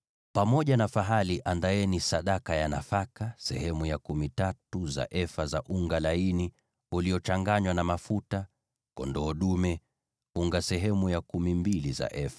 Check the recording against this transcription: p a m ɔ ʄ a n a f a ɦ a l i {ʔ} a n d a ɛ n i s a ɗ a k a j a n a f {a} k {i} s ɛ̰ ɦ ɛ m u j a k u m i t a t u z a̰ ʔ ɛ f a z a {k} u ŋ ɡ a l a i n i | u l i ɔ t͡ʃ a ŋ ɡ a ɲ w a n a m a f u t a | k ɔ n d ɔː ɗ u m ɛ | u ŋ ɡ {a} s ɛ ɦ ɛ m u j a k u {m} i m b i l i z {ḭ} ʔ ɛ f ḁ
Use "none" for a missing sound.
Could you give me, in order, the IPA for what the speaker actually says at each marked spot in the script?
ʔ, a, a, ʔ, a, m, a̰

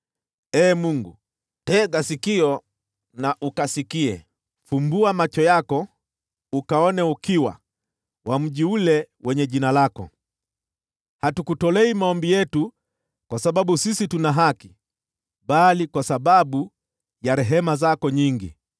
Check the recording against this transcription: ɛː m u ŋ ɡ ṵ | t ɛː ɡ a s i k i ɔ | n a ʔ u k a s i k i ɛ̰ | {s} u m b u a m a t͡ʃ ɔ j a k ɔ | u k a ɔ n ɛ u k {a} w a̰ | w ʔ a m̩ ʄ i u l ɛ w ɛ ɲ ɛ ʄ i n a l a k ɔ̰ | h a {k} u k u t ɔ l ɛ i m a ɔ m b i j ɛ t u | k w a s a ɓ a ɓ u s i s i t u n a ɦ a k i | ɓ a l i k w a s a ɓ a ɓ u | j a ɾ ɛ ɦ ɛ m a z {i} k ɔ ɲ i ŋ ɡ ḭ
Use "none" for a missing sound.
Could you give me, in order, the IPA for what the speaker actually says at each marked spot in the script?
f, i, t, a

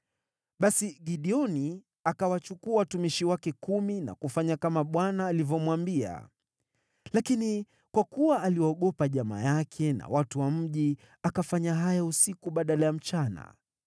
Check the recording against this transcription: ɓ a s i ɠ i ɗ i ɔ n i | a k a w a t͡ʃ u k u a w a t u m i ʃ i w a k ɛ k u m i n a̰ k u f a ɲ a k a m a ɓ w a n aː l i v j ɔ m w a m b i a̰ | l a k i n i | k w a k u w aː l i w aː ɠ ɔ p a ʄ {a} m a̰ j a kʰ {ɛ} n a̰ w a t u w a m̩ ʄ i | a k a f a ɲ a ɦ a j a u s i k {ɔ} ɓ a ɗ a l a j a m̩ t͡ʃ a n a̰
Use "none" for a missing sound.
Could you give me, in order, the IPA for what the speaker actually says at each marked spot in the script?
a, ɛ, u

